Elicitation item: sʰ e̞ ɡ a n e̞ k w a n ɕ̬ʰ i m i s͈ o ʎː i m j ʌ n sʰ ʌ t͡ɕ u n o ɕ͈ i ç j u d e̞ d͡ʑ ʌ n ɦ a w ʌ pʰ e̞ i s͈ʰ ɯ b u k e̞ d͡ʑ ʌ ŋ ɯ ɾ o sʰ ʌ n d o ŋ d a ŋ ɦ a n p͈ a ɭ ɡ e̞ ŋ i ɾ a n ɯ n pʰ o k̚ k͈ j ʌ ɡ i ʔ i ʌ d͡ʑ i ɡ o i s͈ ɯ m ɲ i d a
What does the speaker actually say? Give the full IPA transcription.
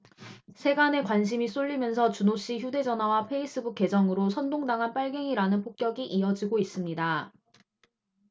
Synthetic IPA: sʰ e̞ ɡ a n e̞ k w a n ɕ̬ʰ i m i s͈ o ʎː i m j ʌ n sʰ ʌ t͡ɕ u n o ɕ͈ i ç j u d e̞ d͡ʑ ʌ n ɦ a w a pʰ e̞ i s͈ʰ ɯ b u k e̞ d͡ʑ ʌ ŋ ɯ ɾ o sʰ ʌ n d o ŋ d a ŋ ɦ a n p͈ a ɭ ɡ e̞ ŋ i ɾ a n ɯ n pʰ o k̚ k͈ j ʌ ɡ i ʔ i ʌ d͡ʑ i ɡ o i s͈ ɯ m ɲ i d a